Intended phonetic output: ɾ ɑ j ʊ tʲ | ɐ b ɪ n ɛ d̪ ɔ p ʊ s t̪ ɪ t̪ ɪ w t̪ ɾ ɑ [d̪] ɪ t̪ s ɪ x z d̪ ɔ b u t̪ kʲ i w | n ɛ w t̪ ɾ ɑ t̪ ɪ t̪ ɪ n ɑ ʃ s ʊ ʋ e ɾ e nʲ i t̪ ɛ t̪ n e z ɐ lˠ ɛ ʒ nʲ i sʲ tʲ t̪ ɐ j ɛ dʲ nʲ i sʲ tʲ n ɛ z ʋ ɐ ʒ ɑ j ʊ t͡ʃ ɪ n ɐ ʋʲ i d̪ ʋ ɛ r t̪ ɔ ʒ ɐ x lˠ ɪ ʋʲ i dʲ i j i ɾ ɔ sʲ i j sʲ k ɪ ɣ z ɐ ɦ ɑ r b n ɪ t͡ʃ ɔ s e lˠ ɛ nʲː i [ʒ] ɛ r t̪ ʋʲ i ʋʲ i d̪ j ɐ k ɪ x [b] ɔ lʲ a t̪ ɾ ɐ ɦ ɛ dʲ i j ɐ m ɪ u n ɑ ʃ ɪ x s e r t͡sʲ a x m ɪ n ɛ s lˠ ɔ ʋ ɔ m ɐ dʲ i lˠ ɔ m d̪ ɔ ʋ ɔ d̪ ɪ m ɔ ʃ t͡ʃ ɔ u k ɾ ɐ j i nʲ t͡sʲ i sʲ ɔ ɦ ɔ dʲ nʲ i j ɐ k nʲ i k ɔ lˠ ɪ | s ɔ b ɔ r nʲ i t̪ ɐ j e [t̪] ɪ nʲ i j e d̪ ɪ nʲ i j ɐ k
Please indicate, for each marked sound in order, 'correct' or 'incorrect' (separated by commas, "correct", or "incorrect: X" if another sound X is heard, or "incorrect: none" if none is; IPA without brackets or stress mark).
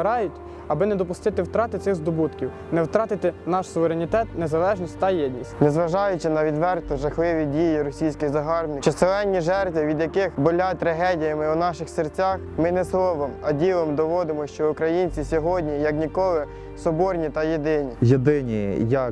incorrect: t̪, correct, correct, incorrect: d̪